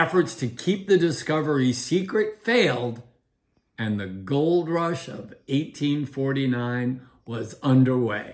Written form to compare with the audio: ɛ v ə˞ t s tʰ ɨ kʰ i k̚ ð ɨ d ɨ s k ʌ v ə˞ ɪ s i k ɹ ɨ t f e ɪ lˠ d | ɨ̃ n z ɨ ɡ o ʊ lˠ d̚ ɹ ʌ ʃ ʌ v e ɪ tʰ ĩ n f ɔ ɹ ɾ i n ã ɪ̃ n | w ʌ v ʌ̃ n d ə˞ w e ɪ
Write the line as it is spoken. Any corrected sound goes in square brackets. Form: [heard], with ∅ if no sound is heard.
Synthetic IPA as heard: ɛ [f] ə˞ t s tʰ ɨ kʰ i [p̚] ð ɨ d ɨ s k ʌ v ə˞ [i] s i k ɹ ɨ t f e ɪ lˠ d | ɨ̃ n [ð] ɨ ɡ o ʊ lˠ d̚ ɹ ʌ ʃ ʌ v e ɪ tʰ ĩ n f ɔ ɹ ɾ i n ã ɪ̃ n | w ʌ [z] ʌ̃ n d ə˞ w e ɪ